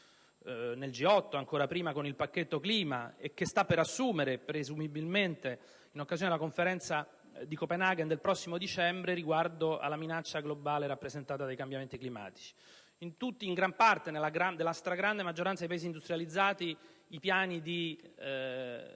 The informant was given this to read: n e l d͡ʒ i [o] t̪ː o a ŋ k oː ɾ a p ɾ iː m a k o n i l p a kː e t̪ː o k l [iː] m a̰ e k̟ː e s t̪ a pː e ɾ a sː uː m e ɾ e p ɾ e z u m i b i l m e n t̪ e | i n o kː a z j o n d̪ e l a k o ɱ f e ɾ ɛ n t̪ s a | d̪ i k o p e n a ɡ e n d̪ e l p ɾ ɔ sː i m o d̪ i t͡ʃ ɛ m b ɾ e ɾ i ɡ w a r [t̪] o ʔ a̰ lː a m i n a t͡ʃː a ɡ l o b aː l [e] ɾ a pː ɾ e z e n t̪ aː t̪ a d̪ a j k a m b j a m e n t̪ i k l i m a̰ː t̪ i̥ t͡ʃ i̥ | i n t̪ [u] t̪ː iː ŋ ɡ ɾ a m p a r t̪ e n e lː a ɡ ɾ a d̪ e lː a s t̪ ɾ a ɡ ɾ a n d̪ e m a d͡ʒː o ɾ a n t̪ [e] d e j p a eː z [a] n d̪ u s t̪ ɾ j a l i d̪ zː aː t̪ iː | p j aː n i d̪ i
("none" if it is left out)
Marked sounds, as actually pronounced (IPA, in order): ɔ, iː, d̪, e, u, a, i

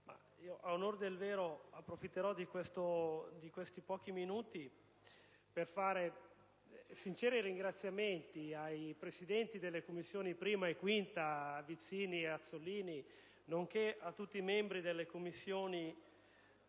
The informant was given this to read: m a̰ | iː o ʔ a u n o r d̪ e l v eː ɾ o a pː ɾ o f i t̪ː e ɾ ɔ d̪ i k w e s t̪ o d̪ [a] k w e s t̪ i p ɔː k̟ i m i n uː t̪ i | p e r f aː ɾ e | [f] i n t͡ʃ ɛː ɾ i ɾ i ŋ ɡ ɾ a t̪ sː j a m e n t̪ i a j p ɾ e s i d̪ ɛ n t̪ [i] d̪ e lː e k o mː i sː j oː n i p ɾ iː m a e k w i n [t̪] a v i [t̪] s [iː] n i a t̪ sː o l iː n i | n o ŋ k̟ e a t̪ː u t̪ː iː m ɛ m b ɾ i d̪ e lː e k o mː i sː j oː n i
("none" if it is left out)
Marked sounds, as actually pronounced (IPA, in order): i, s, i, t̪, t̪, iː

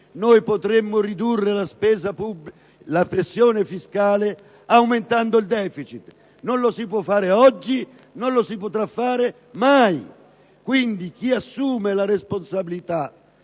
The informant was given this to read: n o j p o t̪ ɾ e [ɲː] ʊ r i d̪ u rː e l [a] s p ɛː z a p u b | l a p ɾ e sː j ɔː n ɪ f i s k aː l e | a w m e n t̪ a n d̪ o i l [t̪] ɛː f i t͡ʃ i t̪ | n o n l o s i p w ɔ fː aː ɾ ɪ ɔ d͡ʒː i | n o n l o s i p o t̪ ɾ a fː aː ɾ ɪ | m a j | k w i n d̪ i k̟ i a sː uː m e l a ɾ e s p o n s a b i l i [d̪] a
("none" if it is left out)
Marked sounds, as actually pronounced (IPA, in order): mː, a, d̪, t̪

